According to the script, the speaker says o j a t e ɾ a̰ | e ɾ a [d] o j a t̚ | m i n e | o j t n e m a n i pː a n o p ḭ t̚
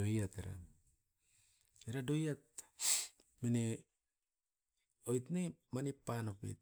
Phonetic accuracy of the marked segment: correct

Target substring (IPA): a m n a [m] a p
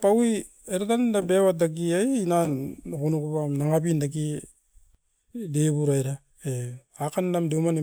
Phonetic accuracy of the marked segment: incorrect: ŋ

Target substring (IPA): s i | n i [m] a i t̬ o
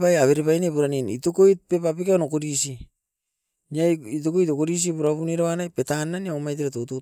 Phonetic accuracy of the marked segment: incorrect: none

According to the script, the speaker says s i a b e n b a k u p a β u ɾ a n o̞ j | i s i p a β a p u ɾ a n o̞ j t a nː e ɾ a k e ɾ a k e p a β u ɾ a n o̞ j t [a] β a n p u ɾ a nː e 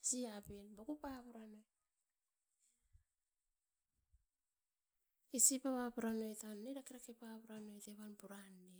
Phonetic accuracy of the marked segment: incorrect: e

